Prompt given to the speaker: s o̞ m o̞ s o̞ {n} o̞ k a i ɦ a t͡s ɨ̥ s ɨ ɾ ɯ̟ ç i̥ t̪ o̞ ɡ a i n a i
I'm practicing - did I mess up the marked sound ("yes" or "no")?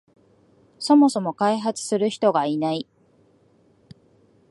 yes